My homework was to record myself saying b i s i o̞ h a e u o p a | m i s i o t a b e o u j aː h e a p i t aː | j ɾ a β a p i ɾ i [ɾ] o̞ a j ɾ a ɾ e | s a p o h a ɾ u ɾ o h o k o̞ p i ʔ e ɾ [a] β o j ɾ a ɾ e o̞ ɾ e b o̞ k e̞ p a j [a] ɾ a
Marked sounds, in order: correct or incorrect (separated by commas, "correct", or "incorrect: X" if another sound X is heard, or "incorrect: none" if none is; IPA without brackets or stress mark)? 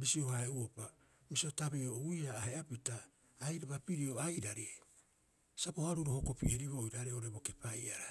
incorrect: none, incorrect: i, correct